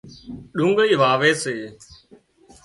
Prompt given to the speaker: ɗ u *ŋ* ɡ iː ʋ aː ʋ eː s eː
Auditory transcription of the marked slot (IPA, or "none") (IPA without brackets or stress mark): ŋ